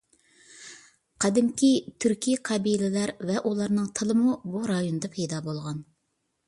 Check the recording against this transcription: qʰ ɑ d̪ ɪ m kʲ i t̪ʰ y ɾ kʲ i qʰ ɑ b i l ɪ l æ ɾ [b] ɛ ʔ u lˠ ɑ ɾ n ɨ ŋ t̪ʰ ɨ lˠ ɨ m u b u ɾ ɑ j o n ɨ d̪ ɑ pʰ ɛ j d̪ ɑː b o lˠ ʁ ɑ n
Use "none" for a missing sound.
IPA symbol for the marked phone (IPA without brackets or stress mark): v